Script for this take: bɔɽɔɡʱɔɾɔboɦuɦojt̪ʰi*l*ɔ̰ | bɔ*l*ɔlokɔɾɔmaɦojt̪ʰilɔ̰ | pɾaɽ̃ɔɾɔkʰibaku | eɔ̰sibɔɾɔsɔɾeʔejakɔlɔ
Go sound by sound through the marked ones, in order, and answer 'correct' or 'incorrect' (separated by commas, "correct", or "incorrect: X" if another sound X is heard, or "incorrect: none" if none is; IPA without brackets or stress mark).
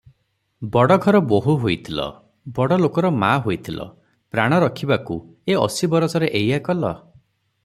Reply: correct, incorrect: ɽ